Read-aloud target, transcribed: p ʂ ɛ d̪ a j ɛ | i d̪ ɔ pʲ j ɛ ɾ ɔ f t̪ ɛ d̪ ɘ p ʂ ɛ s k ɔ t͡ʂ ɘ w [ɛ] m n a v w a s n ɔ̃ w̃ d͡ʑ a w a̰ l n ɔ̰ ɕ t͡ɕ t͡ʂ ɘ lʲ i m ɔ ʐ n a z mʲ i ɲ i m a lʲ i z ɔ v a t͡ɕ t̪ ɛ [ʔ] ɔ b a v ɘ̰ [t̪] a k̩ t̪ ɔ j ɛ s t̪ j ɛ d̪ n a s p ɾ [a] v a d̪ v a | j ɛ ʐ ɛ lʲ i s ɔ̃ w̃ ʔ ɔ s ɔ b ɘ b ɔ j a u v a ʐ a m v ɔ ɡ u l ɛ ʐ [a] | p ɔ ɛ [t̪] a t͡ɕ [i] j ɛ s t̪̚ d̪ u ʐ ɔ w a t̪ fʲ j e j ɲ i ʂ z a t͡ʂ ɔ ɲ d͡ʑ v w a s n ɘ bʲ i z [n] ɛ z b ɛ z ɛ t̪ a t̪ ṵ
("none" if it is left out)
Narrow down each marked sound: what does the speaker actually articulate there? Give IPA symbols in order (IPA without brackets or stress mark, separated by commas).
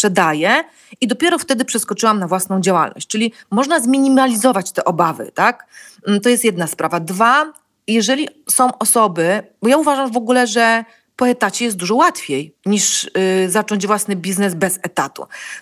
a, ʔ, t̪, a, ɛ, t̪, ɛ, n